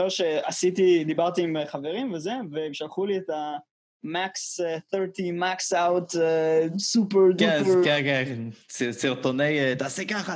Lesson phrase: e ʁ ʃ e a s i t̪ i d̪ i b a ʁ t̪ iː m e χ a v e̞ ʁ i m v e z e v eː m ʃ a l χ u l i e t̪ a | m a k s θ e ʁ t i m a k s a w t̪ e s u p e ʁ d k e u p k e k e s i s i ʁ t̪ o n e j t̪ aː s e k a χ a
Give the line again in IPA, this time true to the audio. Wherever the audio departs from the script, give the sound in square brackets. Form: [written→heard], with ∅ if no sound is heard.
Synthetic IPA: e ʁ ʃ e a s i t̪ i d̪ i b a ʁ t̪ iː m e χ a v e̞ ʁ i m v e z e v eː m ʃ a l χ u l i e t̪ a | m a k s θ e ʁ t i m a k s a w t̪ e s u p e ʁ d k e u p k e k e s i s i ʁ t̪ o n e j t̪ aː s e k a χ a